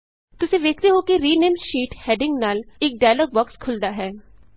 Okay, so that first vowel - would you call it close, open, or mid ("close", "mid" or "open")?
close